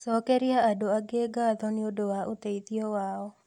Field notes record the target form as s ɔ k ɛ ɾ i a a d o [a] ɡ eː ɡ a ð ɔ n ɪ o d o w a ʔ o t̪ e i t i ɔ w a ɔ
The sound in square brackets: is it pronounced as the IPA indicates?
yes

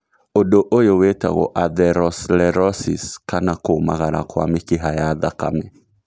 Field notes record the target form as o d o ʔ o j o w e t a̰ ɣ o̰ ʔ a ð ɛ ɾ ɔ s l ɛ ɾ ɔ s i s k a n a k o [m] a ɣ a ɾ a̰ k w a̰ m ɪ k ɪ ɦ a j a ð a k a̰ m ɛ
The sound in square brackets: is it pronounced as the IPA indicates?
yes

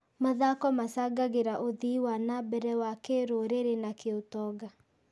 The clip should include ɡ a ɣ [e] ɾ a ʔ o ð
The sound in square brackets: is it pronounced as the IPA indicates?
yes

